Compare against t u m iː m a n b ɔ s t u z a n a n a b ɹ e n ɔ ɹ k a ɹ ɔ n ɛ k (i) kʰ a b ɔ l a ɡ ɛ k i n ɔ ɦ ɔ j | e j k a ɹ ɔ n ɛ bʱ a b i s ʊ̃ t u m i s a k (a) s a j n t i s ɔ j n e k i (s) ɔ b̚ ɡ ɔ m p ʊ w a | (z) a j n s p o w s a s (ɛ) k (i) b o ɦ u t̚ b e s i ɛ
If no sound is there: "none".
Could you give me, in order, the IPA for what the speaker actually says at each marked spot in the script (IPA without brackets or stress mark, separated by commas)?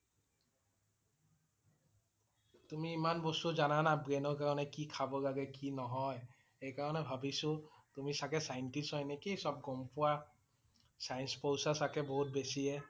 i, ɛ, s, s, a, ɛ